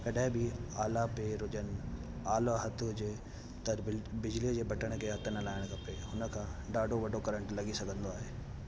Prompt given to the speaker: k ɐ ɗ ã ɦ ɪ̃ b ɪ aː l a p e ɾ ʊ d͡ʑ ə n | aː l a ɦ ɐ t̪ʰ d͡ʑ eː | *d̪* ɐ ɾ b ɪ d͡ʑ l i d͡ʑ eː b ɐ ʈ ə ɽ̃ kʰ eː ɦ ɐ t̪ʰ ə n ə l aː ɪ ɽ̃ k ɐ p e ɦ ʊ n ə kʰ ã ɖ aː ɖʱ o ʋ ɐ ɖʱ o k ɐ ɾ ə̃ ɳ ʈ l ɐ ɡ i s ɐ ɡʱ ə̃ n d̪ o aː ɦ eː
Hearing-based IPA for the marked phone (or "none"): t̪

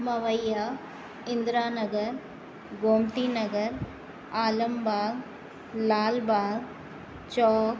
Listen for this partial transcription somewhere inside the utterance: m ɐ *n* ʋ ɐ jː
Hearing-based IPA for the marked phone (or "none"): none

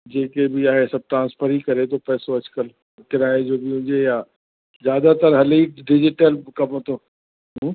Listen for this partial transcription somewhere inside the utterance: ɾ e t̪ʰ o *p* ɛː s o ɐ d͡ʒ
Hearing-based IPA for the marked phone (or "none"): p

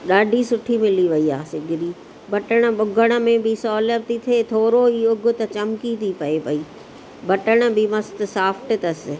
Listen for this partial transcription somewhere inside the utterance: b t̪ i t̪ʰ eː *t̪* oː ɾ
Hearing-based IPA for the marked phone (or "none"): t̪ʰ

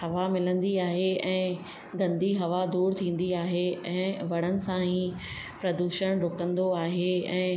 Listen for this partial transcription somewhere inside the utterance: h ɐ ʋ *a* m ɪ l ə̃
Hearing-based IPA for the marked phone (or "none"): a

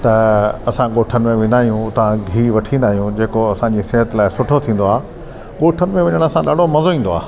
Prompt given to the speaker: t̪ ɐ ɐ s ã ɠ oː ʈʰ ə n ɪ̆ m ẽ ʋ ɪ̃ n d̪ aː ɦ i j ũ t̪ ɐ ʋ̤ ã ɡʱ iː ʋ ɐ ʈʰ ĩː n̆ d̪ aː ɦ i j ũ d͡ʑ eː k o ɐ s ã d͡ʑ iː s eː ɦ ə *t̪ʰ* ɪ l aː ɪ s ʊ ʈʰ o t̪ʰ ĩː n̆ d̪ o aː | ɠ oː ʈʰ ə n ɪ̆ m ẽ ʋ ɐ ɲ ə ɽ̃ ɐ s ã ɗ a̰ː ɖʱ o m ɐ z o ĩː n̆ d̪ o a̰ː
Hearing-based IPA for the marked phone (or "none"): t̪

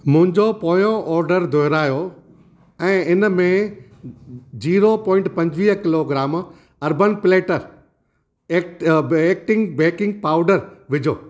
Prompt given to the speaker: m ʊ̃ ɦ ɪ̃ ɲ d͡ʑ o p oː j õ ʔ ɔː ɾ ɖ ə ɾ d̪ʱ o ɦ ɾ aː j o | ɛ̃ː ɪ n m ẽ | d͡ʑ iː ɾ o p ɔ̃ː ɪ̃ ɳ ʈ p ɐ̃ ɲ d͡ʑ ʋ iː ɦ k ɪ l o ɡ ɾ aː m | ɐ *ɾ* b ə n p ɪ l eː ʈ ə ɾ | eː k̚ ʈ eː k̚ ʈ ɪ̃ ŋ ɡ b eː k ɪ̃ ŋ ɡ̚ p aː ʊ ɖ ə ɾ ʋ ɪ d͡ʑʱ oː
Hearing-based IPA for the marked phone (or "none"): ɾ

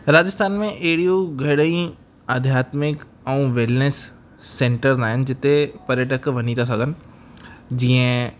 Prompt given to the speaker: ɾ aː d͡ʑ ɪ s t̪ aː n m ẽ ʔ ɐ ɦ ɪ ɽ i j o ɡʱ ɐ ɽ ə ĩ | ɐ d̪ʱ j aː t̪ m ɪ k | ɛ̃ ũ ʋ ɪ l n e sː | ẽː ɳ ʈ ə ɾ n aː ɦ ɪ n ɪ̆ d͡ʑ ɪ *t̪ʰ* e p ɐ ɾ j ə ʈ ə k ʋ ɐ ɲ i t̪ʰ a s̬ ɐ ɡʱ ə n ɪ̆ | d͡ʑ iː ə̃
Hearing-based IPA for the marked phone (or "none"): t̪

